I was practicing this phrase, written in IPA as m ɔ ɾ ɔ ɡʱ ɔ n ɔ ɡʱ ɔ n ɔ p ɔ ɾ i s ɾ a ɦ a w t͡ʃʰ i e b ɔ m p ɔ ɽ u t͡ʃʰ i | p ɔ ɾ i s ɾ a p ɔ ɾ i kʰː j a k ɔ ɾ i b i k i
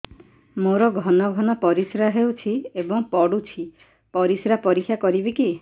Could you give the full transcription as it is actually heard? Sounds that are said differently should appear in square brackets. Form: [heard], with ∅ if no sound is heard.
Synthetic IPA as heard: m [o] ɾ ɔ ɡʱ ɔ n ɔ ɡʱ ɔ n ɔ p ɔ ɾ i s ɾ a ɦ [e] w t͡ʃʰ i e b ɔ [ŋ] p ɔ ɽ u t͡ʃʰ i | p ɔ ɾ i s ɾ a p ɔ ɾ i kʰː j a k ɔ ɾ i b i k i